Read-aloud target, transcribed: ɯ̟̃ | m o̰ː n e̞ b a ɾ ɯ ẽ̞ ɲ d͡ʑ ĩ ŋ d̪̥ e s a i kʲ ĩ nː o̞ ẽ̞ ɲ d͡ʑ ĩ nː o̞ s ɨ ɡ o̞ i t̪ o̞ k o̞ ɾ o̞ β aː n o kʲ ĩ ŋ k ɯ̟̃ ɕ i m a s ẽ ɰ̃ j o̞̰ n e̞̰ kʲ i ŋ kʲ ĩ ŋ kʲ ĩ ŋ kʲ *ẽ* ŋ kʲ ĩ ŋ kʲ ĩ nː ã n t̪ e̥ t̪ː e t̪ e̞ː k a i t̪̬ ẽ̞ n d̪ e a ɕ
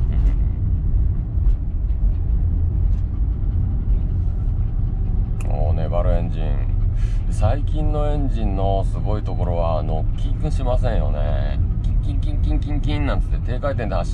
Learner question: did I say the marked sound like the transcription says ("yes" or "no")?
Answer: no